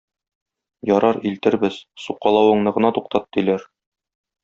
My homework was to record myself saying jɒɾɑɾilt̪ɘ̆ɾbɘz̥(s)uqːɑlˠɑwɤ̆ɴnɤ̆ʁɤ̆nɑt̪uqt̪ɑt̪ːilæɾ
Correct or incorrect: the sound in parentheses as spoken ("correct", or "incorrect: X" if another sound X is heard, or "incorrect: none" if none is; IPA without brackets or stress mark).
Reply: correct